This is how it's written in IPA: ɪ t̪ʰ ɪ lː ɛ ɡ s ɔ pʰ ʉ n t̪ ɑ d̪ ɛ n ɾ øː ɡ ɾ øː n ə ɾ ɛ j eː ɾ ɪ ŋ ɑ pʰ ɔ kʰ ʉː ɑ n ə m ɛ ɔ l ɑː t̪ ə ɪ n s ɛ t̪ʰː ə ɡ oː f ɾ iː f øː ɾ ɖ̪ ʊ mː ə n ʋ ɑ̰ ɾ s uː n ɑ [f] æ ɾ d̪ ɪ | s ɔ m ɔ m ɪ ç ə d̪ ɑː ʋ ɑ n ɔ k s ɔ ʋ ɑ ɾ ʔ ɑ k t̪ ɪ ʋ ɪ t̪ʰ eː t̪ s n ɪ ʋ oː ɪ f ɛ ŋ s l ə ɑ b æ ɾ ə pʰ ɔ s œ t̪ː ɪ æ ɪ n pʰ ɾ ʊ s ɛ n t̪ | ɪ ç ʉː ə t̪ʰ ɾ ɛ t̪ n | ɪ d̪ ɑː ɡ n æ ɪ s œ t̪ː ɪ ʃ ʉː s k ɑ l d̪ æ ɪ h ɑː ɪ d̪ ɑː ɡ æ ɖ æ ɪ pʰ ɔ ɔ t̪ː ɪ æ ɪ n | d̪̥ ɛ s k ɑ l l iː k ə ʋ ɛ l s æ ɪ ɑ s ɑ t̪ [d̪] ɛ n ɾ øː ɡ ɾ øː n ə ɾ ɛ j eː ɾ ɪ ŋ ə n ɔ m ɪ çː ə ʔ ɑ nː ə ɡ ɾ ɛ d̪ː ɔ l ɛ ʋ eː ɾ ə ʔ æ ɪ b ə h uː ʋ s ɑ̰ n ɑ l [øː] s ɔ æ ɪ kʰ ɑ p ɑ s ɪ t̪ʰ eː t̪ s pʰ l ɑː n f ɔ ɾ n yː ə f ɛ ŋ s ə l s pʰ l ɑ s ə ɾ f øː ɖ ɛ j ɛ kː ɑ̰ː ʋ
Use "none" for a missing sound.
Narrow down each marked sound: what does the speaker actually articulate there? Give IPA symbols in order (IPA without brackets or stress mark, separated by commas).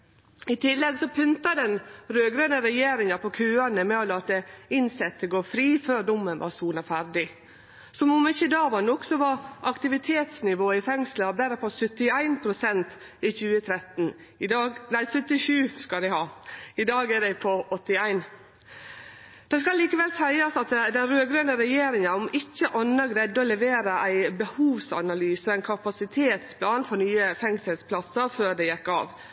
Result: f, d̪, yː